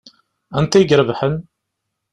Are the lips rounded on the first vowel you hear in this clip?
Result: no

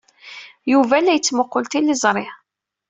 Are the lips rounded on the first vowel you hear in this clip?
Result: yes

